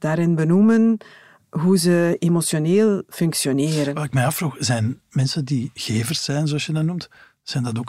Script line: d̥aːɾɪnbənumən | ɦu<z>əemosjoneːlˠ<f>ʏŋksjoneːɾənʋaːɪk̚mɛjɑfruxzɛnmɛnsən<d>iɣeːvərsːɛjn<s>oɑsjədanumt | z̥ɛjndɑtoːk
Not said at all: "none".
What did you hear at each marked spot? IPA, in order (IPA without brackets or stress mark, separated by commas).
z, f, d, z